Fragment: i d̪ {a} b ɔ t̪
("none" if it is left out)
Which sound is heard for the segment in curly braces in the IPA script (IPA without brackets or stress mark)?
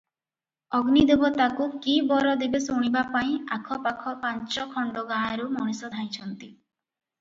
e